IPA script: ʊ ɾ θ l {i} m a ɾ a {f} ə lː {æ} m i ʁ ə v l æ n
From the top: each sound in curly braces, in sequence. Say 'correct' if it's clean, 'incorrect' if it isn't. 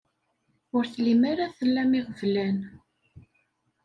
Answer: correct, incorrect: θ, correct

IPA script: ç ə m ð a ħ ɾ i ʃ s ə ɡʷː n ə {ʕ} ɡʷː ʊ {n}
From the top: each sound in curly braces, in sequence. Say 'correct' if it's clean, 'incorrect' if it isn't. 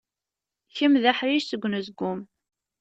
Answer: incorrect: z, incorrect: m

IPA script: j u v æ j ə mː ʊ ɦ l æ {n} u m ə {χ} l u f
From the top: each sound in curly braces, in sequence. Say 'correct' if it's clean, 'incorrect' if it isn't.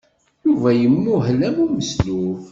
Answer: incorrect: m, incorrect: s

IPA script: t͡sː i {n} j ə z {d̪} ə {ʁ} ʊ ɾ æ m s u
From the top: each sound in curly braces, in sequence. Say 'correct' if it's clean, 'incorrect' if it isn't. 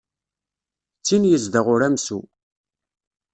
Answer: correct, correct, correct

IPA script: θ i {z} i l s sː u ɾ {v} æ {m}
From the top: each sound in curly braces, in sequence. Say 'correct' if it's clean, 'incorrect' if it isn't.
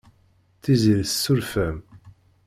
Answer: correct, incorrect: f, correct

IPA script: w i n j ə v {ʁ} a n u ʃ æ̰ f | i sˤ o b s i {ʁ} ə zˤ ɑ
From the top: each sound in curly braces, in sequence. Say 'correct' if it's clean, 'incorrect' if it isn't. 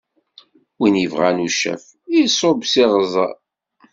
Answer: correct, correct

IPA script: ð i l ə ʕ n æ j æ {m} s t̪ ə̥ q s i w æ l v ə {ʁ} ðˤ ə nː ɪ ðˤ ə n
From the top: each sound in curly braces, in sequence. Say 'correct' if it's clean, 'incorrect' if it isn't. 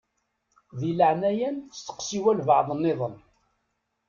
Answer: incorrect: n, incorrect: ʕ

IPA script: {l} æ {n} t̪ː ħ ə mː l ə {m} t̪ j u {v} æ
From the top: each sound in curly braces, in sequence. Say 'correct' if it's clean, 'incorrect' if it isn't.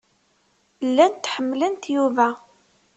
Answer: incorrect: lː, correct, incorrect: n, correct

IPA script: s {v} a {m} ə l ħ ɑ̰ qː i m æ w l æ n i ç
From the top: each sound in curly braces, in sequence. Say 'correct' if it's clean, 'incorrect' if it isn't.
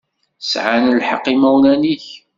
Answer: incorrect: ʕ, incorrect: n

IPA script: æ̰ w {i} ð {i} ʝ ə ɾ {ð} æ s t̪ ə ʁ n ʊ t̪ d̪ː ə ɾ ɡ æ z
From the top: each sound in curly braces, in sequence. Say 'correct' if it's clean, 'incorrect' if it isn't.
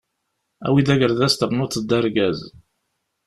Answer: correct, incorrect: æ, correct

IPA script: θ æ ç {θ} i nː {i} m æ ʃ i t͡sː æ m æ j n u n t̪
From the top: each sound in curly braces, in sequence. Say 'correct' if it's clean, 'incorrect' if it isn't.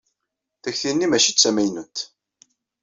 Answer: correct, correct

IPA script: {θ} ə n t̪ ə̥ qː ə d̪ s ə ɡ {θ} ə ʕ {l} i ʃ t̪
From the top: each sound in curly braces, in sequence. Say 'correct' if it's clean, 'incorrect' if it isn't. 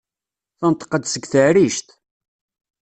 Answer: correct, correct, incorrect: ɾ

